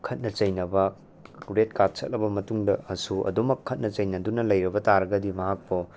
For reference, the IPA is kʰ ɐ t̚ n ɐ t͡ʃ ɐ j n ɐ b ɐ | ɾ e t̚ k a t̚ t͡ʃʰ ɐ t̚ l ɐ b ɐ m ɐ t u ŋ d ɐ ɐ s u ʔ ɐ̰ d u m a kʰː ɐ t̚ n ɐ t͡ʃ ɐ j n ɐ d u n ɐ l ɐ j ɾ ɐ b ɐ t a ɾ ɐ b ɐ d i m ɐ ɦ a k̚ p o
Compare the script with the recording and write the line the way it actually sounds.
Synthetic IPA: kʰ ɐ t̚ n ɐ t͡ʃ ɐ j n ɐ b ɐ | ɾ e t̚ k a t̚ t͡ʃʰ ɐ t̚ l ɐ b ɐ m ɐ t u ŋ d ɐ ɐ s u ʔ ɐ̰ d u m ɐ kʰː ɐ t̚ n ɐ t͡ʃ ɐ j n ɐ d u n ɐ l ɐ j ɾ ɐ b ɐ t a ɾ ɐ ɡ ɐ d i m ɐ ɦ a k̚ p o